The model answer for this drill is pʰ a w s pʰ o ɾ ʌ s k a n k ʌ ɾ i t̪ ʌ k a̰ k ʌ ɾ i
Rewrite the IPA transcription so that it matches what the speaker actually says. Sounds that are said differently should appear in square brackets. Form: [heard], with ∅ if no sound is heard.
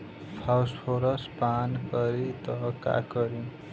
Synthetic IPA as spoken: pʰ a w s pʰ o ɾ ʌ s [p] a n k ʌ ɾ i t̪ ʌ k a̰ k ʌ ɾ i